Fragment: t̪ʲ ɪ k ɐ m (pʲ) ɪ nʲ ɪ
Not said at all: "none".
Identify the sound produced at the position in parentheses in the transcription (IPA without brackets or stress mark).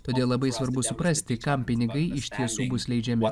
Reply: pʲ